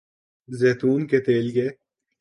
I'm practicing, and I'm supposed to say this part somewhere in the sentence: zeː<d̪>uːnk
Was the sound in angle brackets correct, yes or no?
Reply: no